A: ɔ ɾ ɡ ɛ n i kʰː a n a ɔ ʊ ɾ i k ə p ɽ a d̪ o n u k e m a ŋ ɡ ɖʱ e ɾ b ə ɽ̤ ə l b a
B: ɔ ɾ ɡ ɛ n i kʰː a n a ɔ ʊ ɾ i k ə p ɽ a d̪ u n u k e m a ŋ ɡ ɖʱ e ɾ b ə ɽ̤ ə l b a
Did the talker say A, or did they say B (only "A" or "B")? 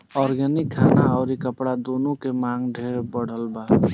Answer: A